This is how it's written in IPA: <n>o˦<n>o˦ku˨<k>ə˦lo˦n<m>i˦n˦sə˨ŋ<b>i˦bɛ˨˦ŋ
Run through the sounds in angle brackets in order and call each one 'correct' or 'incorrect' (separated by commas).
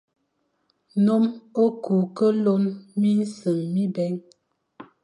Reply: correct, incorrect, correct, correct, incorrect